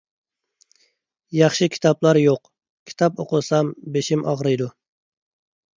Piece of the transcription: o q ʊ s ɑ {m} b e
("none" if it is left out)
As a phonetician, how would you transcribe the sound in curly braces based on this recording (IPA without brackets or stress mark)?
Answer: m